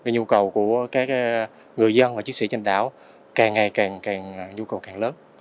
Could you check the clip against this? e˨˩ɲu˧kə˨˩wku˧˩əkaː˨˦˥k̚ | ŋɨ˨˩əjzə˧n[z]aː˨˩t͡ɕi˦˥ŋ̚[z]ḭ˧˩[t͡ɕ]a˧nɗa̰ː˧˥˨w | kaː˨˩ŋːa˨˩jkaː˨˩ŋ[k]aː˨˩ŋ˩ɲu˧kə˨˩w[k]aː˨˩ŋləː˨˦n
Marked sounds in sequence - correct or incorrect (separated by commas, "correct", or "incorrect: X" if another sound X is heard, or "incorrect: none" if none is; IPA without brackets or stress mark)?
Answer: incorrect: v, incorrect: s, correct, correct, correct